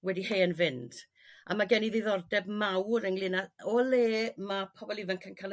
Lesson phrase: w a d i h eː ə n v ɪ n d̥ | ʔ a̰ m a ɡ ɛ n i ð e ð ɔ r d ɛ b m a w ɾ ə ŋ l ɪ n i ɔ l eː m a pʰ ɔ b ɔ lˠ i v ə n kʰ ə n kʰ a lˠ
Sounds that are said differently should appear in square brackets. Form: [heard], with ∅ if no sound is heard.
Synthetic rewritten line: w [ɛ] d i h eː ə n v ɪ n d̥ | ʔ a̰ m a ɡ ɛ n i ð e ð ɔ r d ɛ b m a w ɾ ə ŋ l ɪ n [a] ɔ l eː m a pʰ ɔ b ɔ lˠ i v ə n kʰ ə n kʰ a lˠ